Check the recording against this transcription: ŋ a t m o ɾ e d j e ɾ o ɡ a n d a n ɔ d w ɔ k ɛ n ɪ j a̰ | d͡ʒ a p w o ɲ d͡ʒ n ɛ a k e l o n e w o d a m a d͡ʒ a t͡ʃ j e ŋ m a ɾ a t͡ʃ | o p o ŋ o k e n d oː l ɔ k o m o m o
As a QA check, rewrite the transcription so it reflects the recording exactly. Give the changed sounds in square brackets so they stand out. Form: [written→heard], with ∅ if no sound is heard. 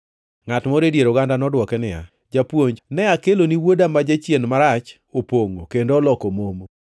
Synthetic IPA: ŋ a t m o ɾ e d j e ɾ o ɡ a n d a n ɔ d w ɔ k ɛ n ɪ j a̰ | d͡ʒ a p w o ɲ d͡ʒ n ɛ a k e l o n [e→i] w o d a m a d͡ʒ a t͡ʃ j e [ŋ→n] m a ɾ a t͡ʃ | o p o ŋ o k e n d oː l ɔ k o m o m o